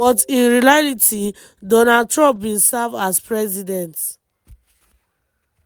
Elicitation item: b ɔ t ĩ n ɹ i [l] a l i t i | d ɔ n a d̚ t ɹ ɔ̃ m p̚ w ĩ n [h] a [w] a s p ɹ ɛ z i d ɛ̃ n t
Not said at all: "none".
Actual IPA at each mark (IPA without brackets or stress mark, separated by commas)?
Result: l, s, v